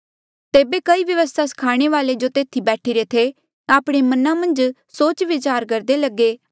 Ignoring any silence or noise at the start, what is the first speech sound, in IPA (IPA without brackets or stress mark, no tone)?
t̪